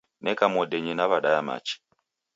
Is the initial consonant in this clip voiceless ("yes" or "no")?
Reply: no